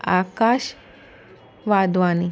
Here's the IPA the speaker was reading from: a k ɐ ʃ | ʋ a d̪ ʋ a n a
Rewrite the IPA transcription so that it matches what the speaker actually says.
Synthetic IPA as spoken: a k a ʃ | ʋ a d̪ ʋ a n i